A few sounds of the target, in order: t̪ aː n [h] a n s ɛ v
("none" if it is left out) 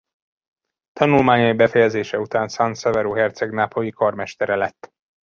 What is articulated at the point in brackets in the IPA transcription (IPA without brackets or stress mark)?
s